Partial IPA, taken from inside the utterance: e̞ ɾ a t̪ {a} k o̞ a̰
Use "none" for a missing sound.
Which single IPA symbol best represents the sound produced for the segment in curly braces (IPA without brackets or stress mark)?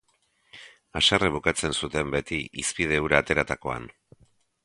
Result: a